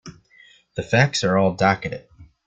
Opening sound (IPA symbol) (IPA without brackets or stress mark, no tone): ð